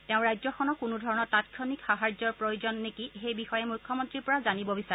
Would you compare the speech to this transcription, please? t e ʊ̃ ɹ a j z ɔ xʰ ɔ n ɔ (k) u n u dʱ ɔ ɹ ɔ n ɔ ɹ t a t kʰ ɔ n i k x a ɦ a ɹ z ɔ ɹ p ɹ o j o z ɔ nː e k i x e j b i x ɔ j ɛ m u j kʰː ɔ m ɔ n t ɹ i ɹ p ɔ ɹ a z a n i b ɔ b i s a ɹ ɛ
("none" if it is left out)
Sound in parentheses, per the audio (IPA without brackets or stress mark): k